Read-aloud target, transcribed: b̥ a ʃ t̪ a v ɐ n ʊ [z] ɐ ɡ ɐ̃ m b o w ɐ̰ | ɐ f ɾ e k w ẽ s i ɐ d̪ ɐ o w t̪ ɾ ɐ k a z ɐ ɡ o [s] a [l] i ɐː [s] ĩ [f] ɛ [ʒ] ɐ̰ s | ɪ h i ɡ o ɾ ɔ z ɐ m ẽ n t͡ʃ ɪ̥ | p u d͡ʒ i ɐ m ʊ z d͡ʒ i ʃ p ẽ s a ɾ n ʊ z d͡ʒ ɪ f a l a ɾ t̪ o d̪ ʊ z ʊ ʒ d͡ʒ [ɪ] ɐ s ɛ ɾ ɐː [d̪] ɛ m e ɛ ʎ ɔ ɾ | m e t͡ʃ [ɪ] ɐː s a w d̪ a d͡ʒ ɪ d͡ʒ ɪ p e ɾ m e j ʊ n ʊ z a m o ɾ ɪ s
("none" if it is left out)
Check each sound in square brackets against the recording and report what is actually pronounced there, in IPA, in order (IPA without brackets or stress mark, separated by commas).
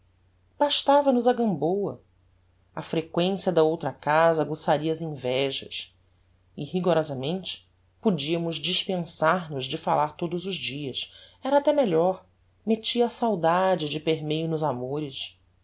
z, s, ɾ, z, v, ʒ, i, t̪, i